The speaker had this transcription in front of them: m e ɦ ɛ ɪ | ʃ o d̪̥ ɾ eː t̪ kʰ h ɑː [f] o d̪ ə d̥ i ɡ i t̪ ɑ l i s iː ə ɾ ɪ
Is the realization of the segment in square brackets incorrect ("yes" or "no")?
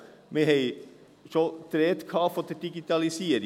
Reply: no